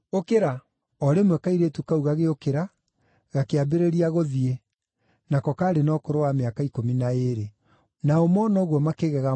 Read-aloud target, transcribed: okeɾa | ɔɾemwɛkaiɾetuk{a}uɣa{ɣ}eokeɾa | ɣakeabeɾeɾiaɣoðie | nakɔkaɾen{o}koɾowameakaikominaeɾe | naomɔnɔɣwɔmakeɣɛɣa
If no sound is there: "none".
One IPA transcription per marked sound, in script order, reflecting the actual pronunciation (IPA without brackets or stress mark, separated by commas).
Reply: a, ɣ, ɔ